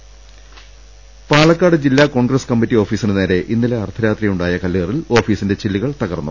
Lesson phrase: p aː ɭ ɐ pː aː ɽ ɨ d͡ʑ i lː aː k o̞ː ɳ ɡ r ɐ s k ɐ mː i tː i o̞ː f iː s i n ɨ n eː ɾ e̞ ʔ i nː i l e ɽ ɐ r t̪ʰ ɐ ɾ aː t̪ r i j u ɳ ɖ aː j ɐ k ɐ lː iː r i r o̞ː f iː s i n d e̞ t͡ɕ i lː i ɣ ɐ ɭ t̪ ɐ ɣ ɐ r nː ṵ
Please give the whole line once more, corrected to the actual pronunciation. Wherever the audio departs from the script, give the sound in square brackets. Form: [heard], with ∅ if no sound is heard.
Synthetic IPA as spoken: p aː ɭ ɐ [kː] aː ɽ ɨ d͡ʑ i lː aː k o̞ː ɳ ɡ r ɐ s k ɐ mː i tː i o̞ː f iː s i n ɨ n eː ɾ e̞ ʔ i nː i l e [∅] ɐ r t̪ʰ ɐ ɾ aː t̪ r i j u ɳ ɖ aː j ɐ k ɐ lː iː r i [l] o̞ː f iː s i n d e̞ t͡ɕ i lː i ɣ ɐ ɭ t̪ ɐ ɣ ɐ r nː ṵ